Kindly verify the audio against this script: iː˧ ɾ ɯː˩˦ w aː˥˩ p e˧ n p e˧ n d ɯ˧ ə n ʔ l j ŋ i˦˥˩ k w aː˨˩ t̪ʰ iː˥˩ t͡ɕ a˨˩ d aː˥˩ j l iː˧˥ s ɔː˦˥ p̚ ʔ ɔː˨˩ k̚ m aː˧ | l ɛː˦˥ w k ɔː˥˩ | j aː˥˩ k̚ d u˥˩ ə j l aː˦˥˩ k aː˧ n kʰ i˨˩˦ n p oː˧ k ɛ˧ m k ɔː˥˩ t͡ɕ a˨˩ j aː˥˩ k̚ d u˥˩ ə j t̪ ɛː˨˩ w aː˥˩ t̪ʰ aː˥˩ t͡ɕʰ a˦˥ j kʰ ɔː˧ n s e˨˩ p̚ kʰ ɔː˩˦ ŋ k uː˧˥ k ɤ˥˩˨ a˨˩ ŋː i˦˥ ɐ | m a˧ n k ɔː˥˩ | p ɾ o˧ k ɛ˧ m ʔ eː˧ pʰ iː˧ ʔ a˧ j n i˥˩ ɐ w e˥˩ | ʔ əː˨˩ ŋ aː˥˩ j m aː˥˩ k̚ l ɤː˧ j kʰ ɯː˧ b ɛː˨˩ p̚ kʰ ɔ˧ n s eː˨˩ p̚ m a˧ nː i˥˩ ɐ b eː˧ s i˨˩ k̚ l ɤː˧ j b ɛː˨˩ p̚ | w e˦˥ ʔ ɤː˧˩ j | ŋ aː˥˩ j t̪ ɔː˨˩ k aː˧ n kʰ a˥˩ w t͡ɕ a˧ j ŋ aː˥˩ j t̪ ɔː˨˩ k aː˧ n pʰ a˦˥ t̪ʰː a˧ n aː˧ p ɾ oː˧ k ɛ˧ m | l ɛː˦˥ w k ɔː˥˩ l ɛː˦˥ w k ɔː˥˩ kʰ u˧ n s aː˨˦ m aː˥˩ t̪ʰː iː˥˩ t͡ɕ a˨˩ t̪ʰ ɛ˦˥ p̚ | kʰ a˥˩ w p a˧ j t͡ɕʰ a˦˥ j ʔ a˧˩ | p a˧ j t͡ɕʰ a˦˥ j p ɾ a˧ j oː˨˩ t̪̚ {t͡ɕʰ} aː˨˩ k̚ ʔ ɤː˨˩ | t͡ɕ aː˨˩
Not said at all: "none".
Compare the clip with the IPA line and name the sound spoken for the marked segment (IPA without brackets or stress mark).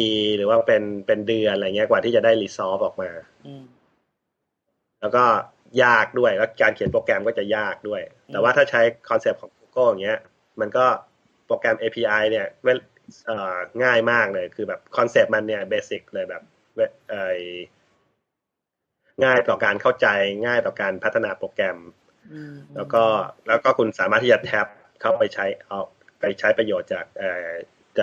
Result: t͡ɕ